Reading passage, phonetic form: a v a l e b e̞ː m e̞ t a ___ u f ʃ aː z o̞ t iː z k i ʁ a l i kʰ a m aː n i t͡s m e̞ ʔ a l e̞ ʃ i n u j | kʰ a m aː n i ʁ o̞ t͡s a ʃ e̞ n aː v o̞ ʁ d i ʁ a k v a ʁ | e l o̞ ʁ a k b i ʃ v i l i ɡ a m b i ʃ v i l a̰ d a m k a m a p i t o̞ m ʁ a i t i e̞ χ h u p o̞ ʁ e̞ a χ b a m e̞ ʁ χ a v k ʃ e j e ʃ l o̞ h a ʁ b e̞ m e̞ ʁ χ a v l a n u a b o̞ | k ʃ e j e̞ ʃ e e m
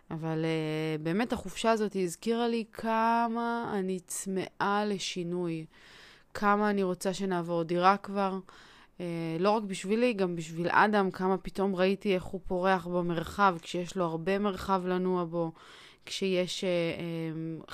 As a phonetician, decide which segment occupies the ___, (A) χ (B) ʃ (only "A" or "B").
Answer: A